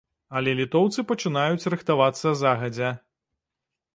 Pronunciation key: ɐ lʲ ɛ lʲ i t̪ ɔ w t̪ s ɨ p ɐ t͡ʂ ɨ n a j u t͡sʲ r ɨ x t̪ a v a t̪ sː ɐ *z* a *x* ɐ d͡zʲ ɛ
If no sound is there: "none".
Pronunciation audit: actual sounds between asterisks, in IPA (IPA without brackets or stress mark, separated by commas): z, ɣ